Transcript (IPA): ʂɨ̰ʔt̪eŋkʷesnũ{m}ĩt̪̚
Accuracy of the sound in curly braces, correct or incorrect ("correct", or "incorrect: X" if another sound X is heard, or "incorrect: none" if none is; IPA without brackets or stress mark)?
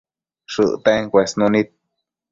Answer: incorrect: n